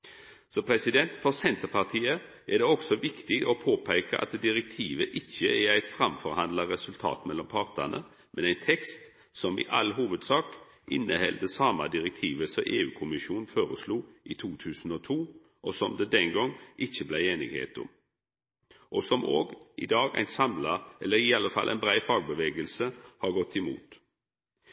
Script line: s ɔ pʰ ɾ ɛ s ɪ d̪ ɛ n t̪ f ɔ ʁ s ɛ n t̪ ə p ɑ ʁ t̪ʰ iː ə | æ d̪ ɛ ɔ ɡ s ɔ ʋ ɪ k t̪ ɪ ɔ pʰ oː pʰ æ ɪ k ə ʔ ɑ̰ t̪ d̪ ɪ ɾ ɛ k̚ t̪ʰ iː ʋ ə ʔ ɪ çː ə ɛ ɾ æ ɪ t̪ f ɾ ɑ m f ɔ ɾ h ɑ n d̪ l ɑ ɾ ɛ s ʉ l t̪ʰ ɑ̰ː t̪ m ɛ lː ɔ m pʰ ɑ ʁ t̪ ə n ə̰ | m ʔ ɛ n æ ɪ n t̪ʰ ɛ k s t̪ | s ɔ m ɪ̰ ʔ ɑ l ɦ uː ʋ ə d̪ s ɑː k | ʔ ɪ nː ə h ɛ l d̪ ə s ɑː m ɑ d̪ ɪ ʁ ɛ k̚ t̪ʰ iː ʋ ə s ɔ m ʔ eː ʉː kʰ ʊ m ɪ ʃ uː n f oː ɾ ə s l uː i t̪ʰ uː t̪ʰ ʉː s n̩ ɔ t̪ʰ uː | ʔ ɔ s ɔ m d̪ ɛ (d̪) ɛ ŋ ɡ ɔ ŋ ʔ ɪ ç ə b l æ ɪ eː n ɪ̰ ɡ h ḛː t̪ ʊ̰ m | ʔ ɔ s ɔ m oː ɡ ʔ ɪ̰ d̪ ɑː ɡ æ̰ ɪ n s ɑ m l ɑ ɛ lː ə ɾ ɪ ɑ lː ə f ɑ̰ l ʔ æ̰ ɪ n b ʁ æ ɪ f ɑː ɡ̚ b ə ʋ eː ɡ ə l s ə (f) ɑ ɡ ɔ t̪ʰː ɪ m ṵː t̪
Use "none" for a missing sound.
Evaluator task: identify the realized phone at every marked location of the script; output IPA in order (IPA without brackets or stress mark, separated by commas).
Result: d̪, h